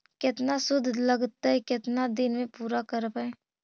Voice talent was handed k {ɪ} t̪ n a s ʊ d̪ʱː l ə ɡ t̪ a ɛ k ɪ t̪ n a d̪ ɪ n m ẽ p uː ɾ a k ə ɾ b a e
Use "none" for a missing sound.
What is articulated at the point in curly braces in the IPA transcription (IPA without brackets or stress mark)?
ɪ